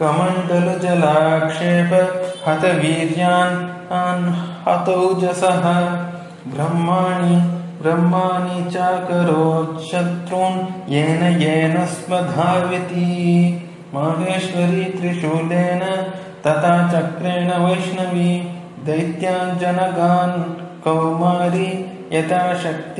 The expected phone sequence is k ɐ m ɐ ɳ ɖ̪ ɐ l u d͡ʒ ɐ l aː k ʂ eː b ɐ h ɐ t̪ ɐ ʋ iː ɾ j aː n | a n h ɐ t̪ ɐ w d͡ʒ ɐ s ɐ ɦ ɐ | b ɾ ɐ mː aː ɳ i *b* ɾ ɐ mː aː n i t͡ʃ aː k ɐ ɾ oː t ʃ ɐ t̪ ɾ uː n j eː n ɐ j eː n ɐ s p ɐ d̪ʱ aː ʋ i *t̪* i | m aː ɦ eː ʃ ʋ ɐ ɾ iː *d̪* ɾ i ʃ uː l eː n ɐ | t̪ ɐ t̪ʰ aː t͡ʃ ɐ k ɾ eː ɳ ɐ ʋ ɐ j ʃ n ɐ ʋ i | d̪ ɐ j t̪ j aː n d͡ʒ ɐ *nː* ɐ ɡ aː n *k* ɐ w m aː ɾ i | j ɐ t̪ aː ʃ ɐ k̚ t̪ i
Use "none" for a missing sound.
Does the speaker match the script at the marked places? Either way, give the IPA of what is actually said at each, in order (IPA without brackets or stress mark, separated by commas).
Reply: b, t̪, t̪, n, k